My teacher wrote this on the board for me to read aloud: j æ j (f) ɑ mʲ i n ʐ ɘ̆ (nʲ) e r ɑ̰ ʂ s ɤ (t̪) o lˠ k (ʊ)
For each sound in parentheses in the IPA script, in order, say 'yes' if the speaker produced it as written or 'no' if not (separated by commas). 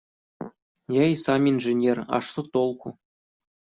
no, yes, yes, no